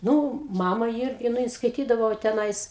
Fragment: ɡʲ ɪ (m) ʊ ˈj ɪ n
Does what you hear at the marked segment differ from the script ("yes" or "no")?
yes